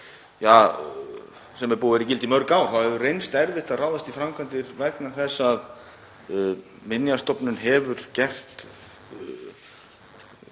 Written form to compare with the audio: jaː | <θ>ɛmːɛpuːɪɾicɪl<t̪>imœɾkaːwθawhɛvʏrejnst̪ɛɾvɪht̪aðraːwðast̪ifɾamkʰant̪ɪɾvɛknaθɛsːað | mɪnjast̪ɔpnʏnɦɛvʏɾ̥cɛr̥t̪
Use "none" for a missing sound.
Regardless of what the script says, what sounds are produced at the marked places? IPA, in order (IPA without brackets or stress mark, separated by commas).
s, t̪